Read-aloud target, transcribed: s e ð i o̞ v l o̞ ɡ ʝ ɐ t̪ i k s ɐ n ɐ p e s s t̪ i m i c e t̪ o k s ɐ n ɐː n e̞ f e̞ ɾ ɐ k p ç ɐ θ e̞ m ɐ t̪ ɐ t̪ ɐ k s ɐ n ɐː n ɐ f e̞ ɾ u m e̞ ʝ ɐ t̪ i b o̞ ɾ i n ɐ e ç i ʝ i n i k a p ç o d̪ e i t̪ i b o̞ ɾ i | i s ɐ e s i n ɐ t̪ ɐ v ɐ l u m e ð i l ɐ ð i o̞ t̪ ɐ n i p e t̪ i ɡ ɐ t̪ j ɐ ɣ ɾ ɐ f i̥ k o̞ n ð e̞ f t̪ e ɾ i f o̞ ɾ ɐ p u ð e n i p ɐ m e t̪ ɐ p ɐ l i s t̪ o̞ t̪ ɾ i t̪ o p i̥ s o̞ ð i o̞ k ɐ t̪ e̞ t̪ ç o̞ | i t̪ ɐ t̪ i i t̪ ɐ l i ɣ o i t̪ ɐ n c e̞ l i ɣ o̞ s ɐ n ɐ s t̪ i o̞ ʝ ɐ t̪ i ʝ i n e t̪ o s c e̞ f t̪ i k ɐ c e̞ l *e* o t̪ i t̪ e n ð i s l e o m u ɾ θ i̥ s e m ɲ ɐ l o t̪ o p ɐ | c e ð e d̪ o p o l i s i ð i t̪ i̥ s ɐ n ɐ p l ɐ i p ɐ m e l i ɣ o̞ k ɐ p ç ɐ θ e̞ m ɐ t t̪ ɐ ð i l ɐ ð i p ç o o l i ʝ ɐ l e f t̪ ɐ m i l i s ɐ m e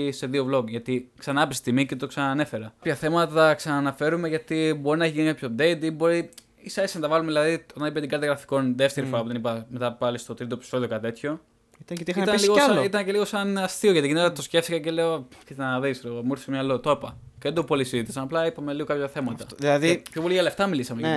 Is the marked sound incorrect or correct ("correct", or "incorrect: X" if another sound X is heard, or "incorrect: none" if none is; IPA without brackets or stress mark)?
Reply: correct